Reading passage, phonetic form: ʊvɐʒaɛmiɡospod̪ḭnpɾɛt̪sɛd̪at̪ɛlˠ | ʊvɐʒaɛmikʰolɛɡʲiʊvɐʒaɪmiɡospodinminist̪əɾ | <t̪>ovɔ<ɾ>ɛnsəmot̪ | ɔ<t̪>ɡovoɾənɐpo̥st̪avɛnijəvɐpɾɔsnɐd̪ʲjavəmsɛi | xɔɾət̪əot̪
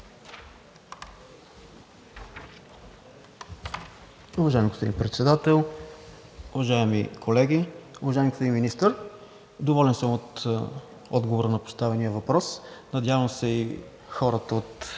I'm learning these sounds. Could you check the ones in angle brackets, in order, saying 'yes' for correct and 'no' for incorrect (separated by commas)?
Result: no, no, no